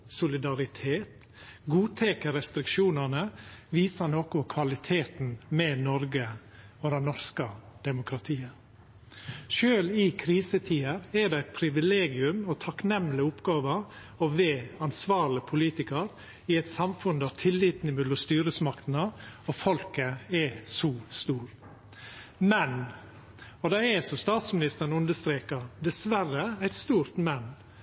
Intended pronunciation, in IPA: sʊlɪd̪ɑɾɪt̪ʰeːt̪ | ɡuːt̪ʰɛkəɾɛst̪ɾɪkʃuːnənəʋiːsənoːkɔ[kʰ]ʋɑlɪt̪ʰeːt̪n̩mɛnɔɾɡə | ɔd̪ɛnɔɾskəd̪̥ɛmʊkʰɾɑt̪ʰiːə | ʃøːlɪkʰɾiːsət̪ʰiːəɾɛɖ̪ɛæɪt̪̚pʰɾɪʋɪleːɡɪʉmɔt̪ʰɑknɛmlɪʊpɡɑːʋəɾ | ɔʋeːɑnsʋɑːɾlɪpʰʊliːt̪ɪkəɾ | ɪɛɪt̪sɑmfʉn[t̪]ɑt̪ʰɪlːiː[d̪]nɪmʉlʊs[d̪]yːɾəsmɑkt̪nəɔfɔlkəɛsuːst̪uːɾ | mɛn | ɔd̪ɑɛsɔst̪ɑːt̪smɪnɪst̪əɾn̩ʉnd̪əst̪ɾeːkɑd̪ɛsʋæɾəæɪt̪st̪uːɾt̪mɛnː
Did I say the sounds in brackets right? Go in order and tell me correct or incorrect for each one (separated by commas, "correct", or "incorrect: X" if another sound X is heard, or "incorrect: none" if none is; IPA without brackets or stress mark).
correct, incorrect: d̪, incorrect: t̪, incorrect: t̪